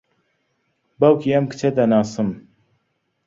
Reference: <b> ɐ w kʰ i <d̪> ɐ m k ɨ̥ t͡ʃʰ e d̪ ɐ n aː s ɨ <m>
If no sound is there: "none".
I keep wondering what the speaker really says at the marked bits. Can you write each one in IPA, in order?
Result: b, none, m

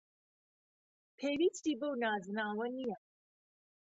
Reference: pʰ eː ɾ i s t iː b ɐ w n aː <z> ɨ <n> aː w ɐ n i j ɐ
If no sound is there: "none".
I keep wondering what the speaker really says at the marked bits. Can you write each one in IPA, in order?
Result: z, n

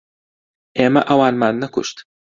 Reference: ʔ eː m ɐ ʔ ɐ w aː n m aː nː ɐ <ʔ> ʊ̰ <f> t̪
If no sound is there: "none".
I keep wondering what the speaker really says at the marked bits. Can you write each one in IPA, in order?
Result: k, ʃ

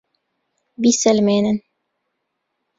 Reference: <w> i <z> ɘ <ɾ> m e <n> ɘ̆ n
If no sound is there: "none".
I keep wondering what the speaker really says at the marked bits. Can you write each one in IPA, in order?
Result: b, s, l, n

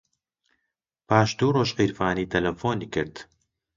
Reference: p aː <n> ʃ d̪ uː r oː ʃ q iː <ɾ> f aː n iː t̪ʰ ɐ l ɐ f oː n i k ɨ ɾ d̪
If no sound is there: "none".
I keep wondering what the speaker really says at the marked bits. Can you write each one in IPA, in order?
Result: none, ɾ

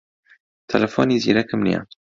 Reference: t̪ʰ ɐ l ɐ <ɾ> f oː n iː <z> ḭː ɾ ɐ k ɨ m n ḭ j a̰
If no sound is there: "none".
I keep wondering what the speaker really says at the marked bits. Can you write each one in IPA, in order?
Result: none, z

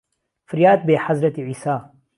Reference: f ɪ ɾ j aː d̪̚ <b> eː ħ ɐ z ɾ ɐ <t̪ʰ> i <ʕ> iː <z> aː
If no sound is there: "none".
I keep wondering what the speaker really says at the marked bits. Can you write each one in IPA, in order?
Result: b, t̪, ʕ, s

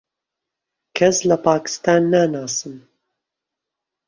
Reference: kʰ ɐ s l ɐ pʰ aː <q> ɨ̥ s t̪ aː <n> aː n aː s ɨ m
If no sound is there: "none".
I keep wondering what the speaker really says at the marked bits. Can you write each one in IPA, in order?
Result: k, nː

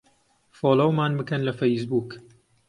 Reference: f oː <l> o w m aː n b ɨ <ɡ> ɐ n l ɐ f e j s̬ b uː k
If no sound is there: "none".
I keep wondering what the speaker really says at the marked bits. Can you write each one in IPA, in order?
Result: l, k

